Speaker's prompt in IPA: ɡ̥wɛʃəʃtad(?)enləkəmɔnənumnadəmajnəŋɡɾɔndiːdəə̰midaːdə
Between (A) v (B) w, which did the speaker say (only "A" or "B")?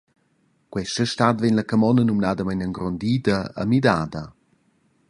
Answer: A